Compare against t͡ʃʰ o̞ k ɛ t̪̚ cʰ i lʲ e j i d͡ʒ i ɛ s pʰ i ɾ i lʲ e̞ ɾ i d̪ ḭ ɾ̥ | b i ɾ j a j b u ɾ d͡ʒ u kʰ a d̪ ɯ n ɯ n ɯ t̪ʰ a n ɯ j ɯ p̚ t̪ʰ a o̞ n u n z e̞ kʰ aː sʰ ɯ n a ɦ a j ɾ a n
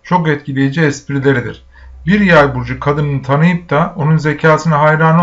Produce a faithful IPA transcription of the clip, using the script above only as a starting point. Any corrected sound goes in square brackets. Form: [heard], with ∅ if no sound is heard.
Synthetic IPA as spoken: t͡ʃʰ o̞ k ɛ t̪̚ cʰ i lʲ e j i d͡ʒ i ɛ s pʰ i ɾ i lʲ e̞ ɾ i d̪ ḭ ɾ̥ | b i ɾ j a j b u ɾ d͡ʒ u kʰ a d̪ ɯ n ɯ n ɯ t̪ʰ a n ɯ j ɯ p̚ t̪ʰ a o̞ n u n z e̞ [cʰ] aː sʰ ɯ n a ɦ a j ɾ a n